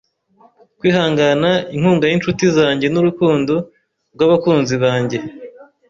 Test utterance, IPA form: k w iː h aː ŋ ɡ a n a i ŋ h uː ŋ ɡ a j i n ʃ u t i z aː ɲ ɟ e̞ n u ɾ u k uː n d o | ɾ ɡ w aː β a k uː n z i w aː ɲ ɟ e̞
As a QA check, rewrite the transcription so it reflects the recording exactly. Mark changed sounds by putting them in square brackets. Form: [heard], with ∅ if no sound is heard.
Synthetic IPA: k w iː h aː ŋ ɡ a n a i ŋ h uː ŋ ɡ a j i n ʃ u t i z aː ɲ ɟ e̞ n u ɾ u k uː n d o | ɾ ɡ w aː β a k uː n z i [β] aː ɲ ɟ e̞